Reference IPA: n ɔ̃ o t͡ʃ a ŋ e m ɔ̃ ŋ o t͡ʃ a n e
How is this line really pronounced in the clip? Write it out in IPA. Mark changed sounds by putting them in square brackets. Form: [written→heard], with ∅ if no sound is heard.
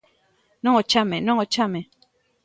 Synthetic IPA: n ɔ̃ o t͡ʃ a [ŋ→m] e [m→n] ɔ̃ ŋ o t͡ʃ a [n→m] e